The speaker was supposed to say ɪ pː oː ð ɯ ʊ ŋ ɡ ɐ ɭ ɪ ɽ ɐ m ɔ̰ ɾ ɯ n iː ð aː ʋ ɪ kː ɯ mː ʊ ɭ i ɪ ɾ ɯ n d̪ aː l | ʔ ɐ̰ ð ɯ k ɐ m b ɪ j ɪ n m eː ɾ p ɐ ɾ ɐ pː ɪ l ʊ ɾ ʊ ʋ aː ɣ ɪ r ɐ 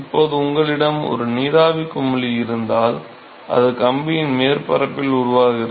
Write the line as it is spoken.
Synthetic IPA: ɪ pː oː ð ɯ ʊ ŋ ɡ ɐ ɭ ɪ ɽ ɐ m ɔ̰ ɾ ɯ n iː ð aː ʋ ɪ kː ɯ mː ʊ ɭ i ɪ ɾ ɯ n d̪ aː l | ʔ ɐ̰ ð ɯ k ɐ m b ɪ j ɪ n m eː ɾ p ɐ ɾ ɐ pː ɪ l ʊ ɾ ʊ ʋ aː ɣ ɪ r ɐ